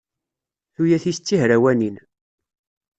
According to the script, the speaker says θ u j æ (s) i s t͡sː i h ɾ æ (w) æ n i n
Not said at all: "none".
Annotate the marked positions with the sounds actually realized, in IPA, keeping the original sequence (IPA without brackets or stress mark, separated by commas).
θ, w